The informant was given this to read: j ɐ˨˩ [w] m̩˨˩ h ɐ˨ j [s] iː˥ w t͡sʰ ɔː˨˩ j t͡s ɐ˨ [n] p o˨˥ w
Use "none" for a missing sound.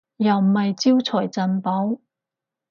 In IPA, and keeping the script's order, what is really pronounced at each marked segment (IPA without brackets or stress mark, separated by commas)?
w, t͡s, n